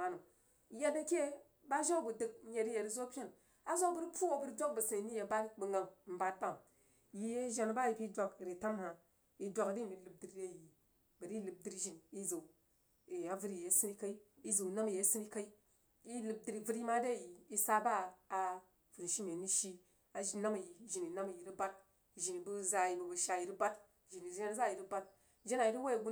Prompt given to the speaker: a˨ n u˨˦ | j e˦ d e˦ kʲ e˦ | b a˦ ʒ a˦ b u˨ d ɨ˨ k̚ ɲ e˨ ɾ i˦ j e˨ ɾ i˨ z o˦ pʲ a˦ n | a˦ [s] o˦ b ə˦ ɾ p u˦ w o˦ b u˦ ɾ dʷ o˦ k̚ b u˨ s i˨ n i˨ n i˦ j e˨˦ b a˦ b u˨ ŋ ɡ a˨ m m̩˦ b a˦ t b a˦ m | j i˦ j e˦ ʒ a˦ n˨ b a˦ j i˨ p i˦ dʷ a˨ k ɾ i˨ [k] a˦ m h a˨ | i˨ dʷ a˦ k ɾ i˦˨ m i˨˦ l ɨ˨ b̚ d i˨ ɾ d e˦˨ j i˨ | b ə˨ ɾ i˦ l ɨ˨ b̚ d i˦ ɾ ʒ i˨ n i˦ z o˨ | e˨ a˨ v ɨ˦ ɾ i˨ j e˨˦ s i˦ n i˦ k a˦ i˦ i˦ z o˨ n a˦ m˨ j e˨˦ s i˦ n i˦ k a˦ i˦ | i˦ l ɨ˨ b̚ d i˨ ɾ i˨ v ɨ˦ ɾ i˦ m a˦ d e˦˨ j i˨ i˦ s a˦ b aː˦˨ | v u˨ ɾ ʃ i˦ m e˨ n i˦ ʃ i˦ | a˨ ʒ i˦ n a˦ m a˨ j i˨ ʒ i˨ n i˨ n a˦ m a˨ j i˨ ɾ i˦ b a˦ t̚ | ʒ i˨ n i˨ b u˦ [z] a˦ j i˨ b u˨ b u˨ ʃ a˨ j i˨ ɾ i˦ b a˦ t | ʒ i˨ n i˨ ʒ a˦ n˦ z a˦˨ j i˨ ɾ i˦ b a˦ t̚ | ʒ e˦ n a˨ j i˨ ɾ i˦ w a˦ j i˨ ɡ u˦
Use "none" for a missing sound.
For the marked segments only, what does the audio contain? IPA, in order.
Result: z, t, z

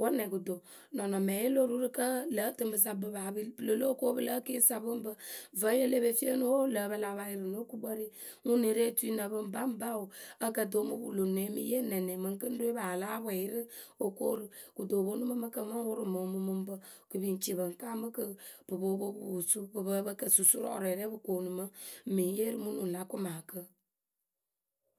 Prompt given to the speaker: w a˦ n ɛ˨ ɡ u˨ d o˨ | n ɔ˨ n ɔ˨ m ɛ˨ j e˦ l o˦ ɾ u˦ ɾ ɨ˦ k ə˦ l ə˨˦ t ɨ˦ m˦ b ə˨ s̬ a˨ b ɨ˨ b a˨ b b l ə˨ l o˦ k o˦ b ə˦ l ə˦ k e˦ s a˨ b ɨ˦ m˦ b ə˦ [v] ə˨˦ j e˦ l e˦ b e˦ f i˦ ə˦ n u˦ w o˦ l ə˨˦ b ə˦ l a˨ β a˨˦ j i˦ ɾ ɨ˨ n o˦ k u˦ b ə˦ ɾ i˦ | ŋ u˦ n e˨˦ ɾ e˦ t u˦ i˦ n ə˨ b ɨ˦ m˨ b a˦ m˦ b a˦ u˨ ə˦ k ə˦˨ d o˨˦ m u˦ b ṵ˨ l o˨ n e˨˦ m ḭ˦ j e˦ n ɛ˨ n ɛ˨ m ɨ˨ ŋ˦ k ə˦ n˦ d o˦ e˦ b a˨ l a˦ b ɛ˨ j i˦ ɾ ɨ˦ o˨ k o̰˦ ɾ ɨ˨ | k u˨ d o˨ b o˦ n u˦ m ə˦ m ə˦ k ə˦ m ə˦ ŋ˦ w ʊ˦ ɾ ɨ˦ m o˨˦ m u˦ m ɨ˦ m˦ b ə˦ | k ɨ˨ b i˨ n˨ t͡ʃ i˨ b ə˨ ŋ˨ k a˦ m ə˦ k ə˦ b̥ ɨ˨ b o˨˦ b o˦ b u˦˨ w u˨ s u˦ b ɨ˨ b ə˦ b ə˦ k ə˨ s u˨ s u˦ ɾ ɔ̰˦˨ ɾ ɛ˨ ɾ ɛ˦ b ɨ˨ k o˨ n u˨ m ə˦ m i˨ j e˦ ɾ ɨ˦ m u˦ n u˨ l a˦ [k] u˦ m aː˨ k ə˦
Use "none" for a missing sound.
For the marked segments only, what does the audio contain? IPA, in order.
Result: v, k

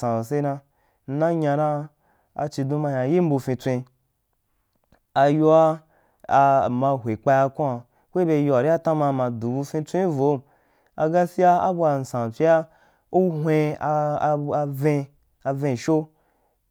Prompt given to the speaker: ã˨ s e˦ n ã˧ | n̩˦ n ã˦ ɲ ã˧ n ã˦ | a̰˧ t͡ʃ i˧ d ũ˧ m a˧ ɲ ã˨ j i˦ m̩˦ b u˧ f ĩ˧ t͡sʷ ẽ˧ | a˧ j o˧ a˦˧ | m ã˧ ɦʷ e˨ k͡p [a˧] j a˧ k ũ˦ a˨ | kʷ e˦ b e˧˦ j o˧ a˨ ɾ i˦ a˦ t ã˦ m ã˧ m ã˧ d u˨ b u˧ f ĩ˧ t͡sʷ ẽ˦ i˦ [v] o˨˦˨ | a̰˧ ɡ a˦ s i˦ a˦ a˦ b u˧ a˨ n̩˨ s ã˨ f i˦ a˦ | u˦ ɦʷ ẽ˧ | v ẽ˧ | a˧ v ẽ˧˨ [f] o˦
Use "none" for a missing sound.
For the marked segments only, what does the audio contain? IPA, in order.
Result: a˧, v, ʃ

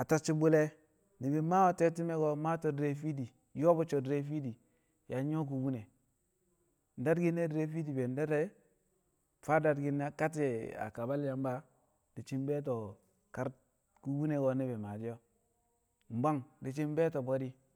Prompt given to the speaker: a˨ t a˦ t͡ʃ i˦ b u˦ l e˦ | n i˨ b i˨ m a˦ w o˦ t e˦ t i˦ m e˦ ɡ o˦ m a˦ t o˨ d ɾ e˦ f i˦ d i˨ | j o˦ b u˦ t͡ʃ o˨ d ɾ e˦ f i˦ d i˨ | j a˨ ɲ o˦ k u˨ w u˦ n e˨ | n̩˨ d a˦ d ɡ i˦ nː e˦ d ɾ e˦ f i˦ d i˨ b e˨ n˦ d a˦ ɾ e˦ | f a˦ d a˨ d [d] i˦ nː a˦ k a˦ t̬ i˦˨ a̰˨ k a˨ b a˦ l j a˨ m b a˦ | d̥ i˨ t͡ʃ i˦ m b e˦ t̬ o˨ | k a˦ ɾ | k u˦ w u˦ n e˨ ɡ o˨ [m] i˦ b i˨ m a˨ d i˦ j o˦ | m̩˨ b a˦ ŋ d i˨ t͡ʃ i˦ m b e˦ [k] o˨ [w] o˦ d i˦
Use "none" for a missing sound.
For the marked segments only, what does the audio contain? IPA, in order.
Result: ɡ, n, t, b

